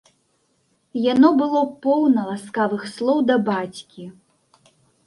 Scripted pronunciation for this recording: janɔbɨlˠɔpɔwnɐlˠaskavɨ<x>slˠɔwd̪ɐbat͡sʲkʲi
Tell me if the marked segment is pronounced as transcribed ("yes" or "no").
yes